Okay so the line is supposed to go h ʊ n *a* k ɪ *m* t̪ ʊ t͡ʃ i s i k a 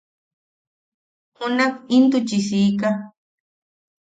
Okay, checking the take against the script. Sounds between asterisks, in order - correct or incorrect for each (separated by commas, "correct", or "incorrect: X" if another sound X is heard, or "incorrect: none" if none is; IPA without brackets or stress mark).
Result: correct, incorrect: n